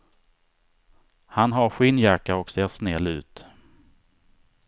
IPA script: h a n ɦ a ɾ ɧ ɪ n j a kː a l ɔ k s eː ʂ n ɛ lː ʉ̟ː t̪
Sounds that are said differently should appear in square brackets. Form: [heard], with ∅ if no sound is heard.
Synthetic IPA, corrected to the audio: h a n ɦ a ɾ ɧ ɪ n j a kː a [ɾ] ɔ k s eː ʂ n ɛ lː ʉ̟ː t̪